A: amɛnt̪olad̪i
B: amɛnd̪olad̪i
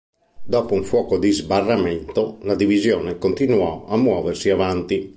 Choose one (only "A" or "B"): A